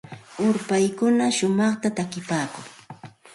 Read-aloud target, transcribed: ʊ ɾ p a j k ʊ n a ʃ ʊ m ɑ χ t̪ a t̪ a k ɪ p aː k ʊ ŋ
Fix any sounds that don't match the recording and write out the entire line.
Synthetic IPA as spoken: ʊ ɾ p a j k ʊ n a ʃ ʊ m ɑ χ t̪ a t̪ a k ɪ p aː k ʊ ŋ